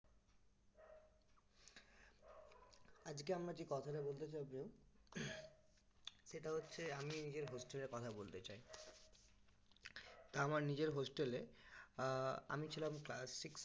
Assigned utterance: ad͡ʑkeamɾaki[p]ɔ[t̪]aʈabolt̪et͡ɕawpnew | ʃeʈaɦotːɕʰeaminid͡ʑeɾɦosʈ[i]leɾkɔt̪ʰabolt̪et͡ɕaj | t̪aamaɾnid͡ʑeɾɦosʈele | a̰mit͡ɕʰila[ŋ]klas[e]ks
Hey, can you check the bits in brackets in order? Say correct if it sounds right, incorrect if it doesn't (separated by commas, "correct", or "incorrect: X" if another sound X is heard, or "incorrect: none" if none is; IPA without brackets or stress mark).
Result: incorrect: k, incorrect: t̪ʰ, incorrect: e, incorrect: m, incorrect: i